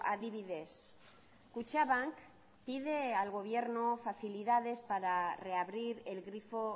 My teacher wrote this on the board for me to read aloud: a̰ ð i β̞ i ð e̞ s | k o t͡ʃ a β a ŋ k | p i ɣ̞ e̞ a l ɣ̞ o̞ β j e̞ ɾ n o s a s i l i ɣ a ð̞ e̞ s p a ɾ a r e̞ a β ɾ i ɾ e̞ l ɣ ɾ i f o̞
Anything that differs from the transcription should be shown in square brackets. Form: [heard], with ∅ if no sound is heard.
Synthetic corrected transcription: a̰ ð i β̞ i ð e̞ s | k [u] t͡ʃ a β a ŋ k | p i [ð̞] e̞ a l ɣ̞ o̞ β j e̞ ɾ n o [f] a [θ] i l i [ð] a ð̞ e̞ s p a ɾ a r e̞ a β ɾ i ɾ e̞ l ɣ ɾ i f o̞